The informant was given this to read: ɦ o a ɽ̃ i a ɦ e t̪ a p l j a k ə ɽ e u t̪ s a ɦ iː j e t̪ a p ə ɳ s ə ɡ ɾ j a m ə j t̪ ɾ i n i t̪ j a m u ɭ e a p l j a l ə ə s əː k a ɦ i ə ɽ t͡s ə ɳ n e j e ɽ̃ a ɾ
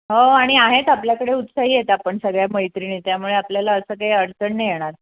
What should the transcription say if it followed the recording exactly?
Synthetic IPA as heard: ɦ o a ɽ̃ i a ɦ e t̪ a p l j a k ə ɽ e u t̪ s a ɦ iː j e t̪ a p ə ɳ s ə ɡ ɭ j a m ə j t̪ ɾ i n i t̪ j a m u ɭ e a p l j a l a ə s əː k a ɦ i ə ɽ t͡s ə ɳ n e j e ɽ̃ a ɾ